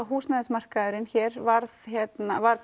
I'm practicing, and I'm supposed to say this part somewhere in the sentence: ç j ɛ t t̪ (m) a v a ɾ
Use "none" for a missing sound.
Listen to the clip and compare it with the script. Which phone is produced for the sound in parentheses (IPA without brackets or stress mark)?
n